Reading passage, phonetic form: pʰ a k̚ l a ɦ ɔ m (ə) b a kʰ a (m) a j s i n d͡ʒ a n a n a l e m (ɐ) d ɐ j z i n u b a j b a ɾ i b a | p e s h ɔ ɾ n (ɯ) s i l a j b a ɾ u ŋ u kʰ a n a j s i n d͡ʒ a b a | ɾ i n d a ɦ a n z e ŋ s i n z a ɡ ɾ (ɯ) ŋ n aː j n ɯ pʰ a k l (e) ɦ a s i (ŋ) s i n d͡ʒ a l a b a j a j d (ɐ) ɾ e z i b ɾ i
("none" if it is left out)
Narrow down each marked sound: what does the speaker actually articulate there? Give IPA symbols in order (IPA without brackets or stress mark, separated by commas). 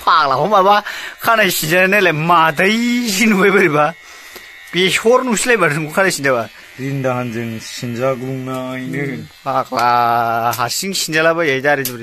a, n, a, u, u, a, ŋ, a